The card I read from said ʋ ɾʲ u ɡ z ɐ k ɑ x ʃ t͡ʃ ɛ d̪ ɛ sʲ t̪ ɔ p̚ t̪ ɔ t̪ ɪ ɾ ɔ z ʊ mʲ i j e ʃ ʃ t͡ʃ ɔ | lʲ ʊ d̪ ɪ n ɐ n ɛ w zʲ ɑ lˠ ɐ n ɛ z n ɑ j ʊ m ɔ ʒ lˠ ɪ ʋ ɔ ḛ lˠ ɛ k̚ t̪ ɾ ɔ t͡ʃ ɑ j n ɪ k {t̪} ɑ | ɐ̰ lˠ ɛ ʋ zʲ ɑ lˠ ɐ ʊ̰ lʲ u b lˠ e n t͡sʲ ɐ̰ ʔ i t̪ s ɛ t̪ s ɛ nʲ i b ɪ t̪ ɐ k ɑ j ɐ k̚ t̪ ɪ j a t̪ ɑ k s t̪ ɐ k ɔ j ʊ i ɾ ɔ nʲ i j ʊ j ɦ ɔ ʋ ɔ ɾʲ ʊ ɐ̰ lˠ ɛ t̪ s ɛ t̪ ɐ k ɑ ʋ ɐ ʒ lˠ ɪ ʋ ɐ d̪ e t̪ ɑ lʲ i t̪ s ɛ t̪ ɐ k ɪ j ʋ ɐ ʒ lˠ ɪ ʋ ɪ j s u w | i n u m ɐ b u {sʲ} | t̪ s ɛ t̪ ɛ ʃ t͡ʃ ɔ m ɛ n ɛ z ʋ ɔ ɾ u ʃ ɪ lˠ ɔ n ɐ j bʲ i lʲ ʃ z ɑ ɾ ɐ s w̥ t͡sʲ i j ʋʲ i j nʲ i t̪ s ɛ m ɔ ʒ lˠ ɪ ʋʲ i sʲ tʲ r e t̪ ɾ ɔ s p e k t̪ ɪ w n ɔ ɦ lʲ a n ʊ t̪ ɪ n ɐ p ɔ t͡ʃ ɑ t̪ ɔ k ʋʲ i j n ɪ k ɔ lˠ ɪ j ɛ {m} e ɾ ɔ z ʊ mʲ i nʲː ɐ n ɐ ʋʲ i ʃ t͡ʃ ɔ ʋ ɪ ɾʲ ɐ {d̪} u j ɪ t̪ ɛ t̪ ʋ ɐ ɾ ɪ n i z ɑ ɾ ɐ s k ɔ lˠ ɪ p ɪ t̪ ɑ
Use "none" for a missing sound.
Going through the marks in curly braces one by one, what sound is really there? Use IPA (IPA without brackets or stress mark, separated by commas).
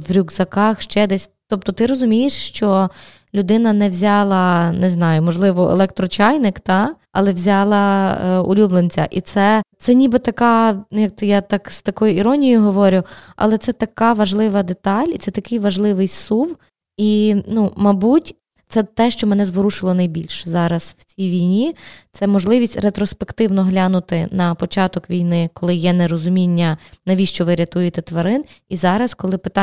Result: t̪, tʲ, n, t̪